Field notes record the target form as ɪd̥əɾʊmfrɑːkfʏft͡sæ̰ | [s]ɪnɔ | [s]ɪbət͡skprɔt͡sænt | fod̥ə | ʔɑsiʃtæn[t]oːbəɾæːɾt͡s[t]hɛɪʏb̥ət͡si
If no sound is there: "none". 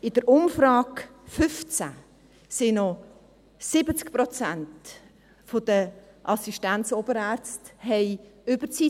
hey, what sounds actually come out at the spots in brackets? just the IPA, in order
s, s, t͡s, t

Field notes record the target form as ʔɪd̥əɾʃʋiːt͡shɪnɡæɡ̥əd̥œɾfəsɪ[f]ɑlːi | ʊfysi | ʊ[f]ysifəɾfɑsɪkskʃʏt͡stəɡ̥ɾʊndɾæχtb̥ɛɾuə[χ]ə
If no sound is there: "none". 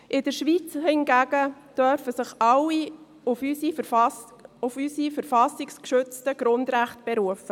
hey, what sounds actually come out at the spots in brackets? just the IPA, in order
χ, f, f

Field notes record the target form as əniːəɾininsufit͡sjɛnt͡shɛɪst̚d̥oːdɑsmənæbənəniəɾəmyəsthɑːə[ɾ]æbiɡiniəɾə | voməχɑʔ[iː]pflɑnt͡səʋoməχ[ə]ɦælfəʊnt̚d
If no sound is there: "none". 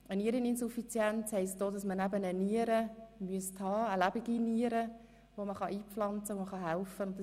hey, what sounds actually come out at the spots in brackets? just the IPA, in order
l, iː, ɑ

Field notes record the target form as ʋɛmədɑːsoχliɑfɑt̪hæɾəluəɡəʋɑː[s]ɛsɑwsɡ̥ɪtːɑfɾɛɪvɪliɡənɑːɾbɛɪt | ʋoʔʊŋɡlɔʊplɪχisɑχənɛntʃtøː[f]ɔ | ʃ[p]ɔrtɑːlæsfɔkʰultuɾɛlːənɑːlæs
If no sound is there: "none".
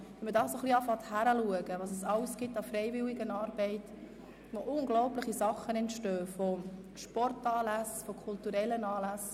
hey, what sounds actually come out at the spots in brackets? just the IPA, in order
s, f, p

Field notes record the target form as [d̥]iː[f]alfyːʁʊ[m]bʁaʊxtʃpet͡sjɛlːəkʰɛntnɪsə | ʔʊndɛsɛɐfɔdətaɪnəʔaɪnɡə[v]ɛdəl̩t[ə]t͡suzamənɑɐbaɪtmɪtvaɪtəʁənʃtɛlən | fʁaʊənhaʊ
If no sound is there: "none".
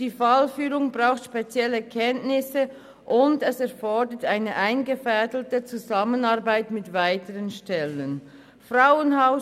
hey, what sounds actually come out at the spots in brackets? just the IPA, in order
d̥, f, ŋ, f, ə

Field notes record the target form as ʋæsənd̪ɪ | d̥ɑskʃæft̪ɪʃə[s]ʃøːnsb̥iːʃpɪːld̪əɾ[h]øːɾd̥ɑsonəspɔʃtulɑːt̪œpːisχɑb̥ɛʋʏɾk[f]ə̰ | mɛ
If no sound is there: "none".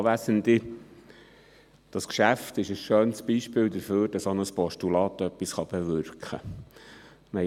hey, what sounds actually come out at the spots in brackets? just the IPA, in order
s, f, χ

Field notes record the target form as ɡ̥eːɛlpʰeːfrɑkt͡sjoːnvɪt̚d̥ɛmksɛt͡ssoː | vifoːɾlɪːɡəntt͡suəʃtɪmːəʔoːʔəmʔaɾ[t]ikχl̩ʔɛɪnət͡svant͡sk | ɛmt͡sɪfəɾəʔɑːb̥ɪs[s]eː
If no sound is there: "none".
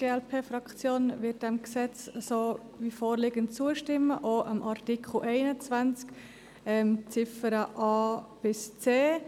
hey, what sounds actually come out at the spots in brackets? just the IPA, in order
t, t͡s

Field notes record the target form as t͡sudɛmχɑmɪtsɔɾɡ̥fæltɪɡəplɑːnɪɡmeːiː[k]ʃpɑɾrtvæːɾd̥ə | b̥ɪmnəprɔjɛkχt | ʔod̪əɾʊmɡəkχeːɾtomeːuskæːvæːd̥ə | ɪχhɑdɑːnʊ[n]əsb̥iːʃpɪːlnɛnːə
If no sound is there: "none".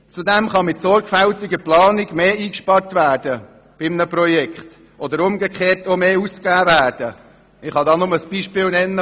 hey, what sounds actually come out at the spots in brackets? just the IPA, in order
k, m

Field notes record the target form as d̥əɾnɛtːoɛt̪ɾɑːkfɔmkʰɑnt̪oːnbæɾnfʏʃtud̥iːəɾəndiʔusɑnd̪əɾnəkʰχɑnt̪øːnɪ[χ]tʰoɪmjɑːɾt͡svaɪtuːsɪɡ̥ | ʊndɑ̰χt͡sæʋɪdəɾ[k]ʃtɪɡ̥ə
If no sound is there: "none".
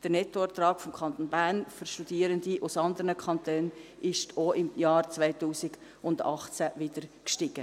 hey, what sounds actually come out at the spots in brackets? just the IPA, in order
ʃ, k

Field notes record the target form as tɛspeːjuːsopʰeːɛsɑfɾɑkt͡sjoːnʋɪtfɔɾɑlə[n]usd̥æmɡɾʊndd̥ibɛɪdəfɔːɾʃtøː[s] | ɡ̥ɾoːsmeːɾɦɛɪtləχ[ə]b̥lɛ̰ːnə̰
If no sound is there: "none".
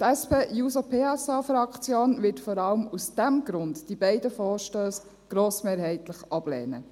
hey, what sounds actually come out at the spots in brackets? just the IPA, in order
m, s, ɑ

